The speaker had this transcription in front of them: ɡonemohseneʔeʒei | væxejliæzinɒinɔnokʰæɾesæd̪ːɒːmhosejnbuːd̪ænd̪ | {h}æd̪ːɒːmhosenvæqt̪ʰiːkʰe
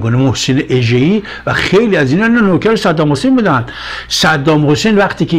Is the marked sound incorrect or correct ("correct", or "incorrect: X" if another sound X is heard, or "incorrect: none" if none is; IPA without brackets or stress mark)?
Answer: incorrect: s